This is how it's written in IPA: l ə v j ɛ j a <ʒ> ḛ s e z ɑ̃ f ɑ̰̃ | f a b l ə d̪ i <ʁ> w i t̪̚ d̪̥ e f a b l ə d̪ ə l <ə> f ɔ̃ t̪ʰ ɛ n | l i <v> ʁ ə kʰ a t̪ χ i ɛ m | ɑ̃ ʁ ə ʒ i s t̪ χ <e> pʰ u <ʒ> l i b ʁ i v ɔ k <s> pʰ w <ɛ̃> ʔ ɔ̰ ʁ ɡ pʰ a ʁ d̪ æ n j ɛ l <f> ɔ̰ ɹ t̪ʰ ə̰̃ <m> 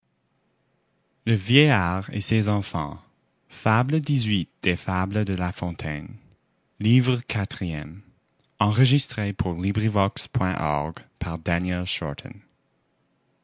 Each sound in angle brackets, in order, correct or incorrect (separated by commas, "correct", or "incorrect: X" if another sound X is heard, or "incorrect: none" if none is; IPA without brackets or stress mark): incorrect: ʁ, incorrect: z, incorrect: a, correct, correct, incorrect: ʁ, correct, correct, incorrect: ʃ, incorrect: n